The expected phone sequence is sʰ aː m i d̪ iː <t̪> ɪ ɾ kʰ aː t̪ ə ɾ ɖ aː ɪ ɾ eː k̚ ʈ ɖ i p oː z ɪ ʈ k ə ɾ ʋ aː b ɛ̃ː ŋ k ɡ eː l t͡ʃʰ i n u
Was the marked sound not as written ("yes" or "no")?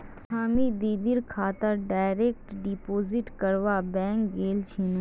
yes